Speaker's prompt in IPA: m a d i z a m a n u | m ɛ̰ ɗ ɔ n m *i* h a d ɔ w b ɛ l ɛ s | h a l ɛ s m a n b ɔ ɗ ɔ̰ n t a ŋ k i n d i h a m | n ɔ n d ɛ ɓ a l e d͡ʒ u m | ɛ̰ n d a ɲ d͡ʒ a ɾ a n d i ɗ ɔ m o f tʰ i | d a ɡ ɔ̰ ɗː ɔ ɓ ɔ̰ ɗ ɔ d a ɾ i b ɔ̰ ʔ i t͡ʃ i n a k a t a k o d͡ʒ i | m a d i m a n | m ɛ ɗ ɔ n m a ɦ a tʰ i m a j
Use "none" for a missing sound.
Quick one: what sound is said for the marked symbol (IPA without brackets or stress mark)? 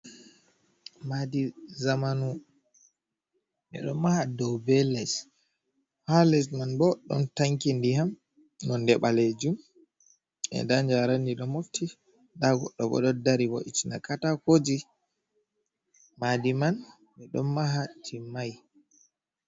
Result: a